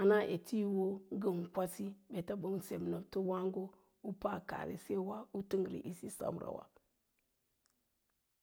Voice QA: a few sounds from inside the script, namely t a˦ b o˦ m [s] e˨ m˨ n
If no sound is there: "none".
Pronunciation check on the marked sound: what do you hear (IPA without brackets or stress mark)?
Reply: s